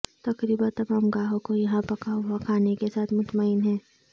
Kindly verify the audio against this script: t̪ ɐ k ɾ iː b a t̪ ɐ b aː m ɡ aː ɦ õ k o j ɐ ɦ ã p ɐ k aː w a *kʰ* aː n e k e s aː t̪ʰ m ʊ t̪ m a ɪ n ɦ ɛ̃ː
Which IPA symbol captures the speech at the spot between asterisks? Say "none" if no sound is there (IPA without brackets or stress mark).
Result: kʰ